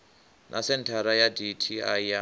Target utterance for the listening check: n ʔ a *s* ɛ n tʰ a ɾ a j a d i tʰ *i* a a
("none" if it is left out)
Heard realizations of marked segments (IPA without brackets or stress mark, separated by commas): s, i